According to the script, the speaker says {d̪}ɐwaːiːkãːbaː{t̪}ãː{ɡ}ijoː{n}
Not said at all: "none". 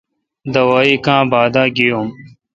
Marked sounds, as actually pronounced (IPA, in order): d̪, d̪, ɡ, m

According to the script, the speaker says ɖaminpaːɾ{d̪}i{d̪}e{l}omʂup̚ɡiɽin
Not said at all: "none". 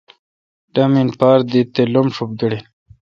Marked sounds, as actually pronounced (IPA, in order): d̪, t̪, l

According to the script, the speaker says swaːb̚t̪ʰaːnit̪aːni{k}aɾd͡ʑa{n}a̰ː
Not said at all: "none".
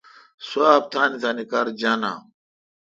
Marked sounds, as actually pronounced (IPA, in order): k, n

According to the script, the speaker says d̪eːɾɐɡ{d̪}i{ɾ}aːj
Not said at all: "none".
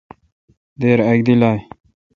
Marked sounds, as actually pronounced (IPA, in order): d̪, l

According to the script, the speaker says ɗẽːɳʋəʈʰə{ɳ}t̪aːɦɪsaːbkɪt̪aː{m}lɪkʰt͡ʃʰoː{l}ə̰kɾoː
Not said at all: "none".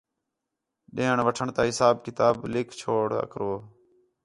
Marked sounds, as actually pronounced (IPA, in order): ɳ, b, ɽ

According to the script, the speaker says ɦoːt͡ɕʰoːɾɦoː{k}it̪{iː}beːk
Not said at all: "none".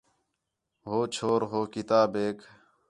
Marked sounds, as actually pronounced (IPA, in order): k, aː

